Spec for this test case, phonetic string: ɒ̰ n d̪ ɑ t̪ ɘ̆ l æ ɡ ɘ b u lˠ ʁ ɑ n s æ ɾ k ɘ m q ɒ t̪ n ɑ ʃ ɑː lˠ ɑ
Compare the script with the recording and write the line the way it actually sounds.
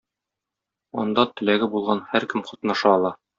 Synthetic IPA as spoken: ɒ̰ n d̪ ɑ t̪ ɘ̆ l æ ɡ ɘ b u lˠ ʁ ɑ n h æ ɾ k ɘ m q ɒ t̪ n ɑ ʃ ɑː lˠ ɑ